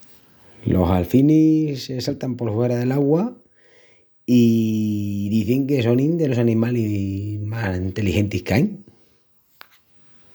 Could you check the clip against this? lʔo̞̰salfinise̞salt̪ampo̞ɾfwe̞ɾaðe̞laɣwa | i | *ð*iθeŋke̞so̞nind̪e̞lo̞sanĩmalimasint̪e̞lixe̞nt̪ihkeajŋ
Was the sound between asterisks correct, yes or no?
yes